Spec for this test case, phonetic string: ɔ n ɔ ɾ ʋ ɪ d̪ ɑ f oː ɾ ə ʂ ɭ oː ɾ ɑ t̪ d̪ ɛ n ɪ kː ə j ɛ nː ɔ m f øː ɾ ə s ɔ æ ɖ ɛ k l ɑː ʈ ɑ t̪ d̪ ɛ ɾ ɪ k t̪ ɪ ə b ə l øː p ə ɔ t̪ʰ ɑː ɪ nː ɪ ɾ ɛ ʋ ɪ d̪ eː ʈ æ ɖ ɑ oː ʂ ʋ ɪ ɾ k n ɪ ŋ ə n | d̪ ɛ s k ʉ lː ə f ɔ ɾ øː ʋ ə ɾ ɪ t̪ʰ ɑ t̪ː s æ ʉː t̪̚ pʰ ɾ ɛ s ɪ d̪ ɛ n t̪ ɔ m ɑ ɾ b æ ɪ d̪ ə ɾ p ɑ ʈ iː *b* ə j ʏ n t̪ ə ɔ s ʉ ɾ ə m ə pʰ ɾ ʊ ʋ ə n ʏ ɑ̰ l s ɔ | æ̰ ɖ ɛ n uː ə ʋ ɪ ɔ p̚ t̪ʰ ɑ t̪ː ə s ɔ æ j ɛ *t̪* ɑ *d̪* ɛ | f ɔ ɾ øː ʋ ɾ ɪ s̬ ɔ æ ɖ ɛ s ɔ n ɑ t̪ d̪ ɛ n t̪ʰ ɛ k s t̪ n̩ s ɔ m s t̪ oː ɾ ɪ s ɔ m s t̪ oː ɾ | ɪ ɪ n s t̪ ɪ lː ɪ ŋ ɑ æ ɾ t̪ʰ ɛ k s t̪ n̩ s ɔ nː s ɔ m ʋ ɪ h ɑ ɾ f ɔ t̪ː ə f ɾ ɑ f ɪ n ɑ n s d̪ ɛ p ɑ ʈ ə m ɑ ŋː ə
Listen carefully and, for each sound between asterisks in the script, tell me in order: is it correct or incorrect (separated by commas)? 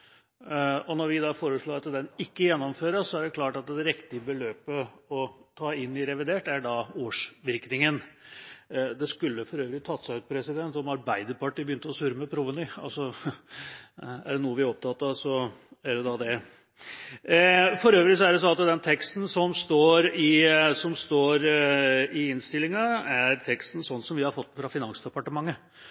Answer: correct, incorrect, correct